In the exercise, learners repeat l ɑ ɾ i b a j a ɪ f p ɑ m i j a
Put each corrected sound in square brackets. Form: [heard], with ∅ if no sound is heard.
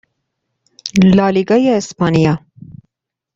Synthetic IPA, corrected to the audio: l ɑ [l] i [ɡ] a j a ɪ [s] p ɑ [n] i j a

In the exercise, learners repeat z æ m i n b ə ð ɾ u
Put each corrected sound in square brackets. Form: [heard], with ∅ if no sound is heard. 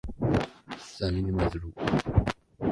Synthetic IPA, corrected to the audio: [s] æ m i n [m] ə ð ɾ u

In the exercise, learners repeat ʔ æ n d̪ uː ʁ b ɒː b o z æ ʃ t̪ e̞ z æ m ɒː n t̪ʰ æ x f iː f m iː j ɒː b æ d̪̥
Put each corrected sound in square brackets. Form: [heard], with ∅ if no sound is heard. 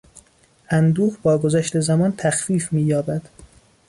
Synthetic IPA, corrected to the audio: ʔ æ n d̪ uː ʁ b ɒː [ɡ] o z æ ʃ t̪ e̞ z æ m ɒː n t̪ʰ æ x f iː f m iː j ɒː b æ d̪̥

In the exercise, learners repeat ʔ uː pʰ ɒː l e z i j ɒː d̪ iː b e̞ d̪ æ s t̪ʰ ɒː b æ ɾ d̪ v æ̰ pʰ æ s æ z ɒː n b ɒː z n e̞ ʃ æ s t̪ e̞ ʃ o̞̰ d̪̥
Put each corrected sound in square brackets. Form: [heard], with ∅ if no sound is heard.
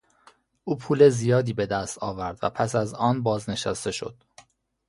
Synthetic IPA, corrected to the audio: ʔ uː pʰ [uː] l e z i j ɒː d̪ iː b e̞ d̪ æ s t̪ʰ ɒː [v] æ ɾ d̪ v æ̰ pʰ æ s æ z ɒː n b ɒː z n e̞ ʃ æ s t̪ e̞ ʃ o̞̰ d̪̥

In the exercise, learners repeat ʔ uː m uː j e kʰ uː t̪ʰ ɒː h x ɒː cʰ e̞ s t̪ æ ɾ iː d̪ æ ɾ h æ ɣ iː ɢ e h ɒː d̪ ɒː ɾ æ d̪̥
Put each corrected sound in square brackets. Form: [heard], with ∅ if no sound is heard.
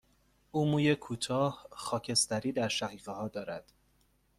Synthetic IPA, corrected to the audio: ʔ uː m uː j e kʰ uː t̪ʰ ɒː h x ɒː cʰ e̞ s t̪ æ ɾ iː d̪ æ ɾ [ʃ] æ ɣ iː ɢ e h ɒː d̪ ɒː ɾ æ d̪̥

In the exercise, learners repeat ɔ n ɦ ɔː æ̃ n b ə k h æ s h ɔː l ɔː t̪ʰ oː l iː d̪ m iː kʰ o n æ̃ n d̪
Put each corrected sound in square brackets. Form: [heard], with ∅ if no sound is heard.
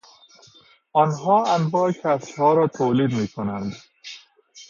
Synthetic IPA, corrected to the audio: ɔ n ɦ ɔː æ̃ n b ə k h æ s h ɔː [ɾ] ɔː t̪ʰ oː l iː d̪ m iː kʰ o n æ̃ n d̪

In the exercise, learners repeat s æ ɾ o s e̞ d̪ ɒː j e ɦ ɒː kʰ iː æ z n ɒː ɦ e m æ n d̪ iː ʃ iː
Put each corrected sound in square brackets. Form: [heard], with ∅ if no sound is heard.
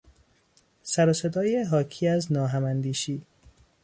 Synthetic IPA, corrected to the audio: s æ ɾ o s e̞ d̪ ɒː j e ɦ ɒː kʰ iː æ z n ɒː ɦ [æ] m æ n d̪ iː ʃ iː

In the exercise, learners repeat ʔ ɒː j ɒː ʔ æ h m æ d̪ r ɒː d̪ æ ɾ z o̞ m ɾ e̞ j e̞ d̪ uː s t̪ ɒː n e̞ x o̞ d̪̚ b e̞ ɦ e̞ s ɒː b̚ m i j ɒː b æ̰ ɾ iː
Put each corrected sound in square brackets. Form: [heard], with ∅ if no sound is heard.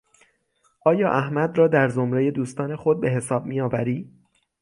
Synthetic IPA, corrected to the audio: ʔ ɒː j ɒː ʔ æ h m æ d̪ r ɒː d̪ æ ɾ z o̞ m ɾ e̞ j e̞ d̪ uː s t̪ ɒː n e̞ x o̞ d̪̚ b e̞ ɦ e̞ s ɒː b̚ m i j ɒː [v] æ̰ ɾ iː

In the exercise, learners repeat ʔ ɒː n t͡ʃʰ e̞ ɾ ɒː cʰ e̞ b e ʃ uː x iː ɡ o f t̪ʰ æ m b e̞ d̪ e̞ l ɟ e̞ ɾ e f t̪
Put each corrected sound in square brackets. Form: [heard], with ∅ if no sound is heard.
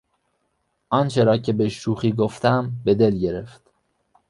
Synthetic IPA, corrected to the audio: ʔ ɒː n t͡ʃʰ e̞ ɾ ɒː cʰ e̞ b e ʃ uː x iː ɡ o f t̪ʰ æ m b e̞ d̪ e̞ l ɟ e̞ ɾ e f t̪

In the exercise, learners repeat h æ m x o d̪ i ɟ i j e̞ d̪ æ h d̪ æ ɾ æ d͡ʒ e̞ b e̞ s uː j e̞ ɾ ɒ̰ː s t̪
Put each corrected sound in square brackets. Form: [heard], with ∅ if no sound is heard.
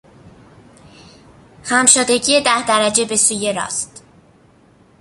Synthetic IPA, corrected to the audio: h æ m [ʃ] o d̪ [e] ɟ i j e̞ d̪ æ h d̪ æ ɾ æ d͡ʒ e̞ b e̞ s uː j e̞ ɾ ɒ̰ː s t̪

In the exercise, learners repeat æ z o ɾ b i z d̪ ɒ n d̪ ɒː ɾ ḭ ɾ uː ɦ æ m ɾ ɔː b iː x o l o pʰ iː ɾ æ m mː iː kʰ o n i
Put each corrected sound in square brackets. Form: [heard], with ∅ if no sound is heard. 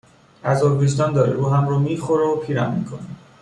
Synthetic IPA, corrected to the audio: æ z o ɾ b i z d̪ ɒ n d̪ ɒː ɾ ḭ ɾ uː ɦ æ m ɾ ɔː [m] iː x o [ɾ] o pʰ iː ɾ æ m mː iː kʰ o n i

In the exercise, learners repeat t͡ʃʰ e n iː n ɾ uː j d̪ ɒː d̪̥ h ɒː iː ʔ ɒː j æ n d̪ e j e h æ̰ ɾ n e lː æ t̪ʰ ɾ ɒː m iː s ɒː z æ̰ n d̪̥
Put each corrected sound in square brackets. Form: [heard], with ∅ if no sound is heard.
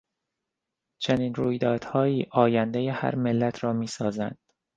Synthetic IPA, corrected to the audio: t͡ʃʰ e n iː n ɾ uː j d̪ ɒː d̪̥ h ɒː iː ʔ ɒː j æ n d̪ e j e h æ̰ ɾ [m] e lː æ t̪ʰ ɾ ɒː m iː s ɒː z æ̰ n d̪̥

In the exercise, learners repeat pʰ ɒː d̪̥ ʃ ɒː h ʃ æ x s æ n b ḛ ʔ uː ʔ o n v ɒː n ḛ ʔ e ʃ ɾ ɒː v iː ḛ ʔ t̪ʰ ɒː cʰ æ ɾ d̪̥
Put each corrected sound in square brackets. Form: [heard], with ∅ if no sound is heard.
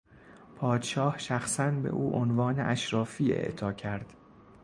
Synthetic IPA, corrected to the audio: pʰ ɒː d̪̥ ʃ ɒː h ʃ æ x s æ n b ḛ ʔ uː ʔ o n v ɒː n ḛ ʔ [æ] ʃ ɾ ɒː [f] iː ḛ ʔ t̪ʰ ɒː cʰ æ ɾ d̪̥

